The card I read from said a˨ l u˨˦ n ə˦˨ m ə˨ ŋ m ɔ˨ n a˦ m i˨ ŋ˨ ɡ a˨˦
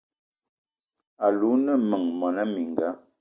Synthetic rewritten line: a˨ l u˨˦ n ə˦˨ m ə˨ ŋ m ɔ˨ n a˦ m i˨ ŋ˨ ɡ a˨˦